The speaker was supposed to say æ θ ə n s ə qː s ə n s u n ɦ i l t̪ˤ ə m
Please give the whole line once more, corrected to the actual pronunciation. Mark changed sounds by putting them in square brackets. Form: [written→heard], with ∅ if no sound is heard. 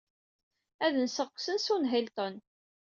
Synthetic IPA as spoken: æ [θ→ð] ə n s ə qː s ə n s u n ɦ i l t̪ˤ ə [m→n]